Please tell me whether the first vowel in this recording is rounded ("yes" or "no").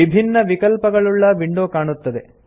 no